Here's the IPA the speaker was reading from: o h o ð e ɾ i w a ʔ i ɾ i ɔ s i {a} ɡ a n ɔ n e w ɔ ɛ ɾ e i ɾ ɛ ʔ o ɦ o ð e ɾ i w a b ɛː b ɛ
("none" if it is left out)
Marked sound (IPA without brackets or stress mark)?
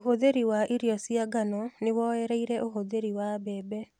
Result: a